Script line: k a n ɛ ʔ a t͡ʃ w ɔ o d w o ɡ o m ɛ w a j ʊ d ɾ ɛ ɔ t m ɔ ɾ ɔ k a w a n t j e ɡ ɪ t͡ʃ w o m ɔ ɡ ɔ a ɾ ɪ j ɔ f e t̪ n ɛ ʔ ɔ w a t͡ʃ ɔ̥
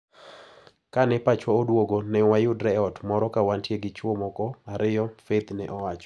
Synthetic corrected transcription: k a n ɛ p a t͡ʃ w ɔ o d w o ɡ o n ɛ w a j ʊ d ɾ ɛ ɔ t m ɔ ɾ ɔ k a w a n t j e ɡ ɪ t͡ʃ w o m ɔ k ɔ a ɾ ɪ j ɔ f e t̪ n ɛ ʔ ɔ w a t͡ʃ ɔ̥